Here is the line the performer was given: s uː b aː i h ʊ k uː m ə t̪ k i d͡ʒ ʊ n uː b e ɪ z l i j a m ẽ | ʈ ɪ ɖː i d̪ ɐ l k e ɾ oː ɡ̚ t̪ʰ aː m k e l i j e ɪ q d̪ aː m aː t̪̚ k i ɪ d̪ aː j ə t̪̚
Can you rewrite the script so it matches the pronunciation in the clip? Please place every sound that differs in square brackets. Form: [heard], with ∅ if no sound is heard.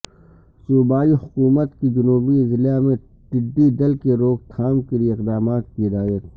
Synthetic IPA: s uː b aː i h ʊ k uː m ə t̪ k i d͡ʒ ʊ n uː b [i] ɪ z l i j a m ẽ | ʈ ɪ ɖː i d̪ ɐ l k e ɾ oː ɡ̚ t̪ʰ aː m k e l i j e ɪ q d̪ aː m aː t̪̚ k i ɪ d̪ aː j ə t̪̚